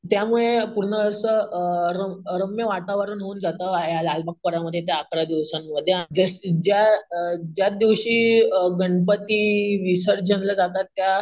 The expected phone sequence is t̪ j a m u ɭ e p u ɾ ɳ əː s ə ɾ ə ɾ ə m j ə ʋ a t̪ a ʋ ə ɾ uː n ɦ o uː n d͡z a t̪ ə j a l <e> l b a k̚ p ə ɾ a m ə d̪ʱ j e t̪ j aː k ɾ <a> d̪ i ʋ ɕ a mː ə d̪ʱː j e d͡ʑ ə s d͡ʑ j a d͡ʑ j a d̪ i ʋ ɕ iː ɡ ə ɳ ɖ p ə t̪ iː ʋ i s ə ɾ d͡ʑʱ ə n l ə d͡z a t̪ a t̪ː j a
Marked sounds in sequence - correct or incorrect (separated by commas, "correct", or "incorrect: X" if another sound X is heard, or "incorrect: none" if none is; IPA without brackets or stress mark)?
incorrect: a, correct